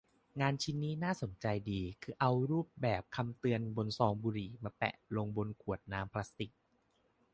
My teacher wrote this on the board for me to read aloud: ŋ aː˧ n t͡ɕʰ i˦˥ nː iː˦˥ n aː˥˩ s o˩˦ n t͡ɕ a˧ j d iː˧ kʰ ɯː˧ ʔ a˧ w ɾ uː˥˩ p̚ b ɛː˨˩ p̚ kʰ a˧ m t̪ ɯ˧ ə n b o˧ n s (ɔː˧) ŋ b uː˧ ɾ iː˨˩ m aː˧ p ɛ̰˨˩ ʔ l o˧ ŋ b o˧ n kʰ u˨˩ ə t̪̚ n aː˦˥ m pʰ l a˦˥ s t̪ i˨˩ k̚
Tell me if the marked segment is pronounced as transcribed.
yes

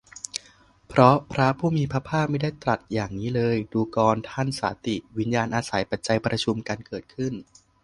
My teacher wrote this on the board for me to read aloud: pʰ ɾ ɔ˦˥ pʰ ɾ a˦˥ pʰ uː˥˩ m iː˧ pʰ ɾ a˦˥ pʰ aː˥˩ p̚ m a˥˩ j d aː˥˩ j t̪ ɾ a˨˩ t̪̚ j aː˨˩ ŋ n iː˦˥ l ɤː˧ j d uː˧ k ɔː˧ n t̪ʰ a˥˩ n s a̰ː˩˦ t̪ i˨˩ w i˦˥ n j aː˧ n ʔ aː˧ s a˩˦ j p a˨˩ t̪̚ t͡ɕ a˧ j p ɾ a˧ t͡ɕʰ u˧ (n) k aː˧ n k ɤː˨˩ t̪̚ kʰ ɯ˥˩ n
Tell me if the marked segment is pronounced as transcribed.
no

